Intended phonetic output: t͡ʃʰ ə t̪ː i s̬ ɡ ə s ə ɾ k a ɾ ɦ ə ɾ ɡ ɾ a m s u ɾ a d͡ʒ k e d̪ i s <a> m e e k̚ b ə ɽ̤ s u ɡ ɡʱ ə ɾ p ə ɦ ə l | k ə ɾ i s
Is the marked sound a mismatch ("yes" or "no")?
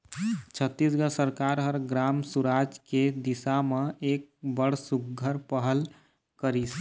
no